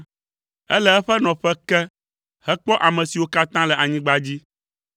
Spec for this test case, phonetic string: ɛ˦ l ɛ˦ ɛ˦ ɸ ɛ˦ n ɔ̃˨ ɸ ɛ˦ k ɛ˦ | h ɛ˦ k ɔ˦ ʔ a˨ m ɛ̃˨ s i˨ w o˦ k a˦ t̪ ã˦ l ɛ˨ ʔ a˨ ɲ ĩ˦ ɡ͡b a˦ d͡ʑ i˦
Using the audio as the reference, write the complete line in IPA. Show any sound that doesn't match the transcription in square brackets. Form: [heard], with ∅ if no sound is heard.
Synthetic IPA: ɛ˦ l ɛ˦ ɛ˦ ɸ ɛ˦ n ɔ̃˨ ɸ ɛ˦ k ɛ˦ | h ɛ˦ [k͡p] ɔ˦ ʔ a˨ m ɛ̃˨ s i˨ w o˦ k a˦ t̪ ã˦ l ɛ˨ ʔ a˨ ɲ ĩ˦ ɡ͡b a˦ d͡ʑ i˦